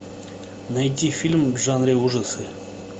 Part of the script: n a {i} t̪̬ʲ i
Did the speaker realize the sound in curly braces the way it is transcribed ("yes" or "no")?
no